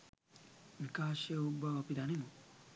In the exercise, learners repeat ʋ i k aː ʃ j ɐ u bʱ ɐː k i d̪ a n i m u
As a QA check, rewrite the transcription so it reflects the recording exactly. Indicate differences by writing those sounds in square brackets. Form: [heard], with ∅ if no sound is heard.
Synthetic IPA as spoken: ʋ i k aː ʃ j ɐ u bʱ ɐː [p] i d̪ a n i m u